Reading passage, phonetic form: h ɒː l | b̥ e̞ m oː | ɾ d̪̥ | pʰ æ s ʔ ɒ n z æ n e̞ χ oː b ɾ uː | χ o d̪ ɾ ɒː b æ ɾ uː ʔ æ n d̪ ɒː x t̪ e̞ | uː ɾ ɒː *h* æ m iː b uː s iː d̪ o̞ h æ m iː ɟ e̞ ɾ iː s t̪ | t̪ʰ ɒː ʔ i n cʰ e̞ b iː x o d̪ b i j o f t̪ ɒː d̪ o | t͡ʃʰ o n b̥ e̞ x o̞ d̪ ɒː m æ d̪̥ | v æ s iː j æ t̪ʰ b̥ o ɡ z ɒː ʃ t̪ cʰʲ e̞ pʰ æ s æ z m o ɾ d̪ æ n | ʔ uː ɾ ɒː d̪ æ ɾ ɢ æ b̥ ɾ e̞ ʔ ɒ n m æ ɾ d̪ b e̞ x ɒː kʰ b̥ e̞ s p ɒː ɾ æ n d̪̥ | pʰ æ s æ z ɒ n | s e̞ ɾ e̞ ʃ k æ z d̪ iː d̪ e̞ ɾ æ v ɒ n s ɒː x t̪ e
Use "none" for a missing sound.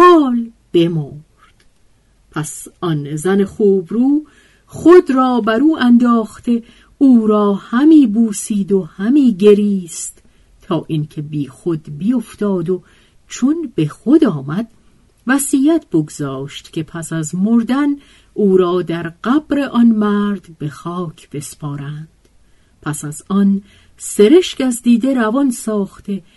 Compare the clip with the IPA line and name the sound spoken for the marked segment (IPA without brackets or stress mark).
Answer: h